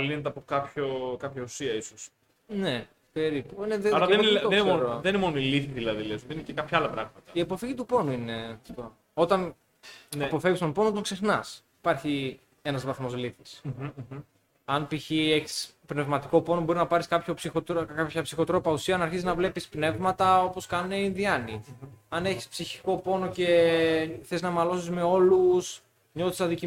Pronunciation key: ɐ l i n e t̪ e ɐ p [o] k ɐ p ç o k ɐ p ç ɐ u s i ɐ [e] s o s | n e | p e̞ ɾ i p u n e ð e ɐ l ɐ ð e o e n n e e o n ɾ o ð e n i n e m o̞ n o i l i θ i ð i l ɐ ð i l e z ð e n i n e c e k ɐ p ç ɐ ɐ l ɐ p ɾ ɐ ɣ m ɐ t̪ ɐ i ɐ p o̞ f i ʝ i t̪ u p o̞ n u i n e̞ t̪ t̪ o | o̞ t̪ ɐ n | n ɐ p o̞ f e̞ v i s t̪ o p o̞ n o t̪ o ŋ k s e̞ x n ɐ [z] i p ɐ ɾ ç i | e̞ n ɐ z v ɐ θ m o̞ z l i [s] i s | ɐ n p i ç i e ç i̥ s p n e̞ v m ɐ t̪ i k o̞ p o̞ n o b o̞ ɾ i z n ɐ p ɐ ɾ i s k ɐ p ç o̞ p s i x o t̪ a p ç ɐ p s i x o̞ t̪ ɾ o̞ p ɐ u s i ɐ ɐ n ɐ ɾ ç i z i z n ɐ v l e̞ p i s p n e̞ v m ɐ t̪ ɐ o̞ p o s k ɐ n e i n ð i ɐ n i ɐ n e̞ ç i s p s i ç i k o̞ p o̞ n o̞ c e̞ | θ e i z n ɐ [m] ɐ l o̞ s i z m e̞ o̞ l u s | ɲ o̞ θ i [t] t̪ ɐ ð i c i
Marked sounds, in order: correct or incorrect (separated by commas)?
correct, incorrect, incorrect, incorrect, correct, incorrect